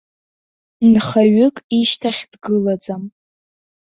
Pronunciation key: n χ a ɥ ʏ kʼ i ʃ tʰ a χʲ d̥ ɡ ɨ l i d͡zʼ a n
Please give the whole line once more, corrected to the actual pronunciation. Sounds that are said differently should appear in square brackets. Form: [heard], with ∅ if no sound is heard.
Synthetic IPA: n χ a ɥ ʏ kʼ i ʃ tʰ a χʲ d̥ ɡ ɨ l [a] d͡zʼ a [m]